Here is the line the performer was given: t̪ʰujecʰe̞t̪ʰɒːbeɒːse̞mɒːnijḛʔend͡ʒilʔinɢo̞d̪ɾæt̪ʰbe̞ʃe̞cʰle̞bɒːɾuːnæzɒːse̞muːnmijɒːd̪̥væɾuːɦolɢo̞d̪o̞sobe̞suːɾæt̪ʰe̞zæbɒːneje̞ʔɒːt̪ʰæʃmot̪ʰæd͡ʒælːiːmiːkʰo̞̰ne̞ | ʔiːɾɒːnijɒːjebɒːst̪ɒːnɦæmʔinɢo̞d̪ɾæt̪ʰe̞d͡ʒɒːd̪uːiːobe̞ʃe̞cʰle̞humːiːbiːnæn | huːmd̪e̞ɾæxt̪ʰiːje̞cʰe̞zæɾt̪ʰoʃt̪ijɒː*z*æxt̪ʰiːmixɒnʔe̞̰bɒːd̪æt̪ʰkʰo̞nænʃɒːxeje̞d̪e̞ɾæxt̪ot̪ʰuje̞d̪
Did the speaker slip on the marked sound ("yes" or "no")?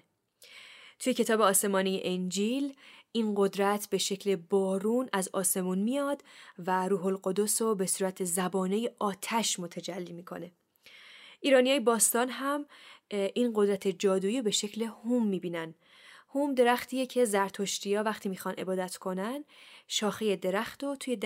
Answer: yes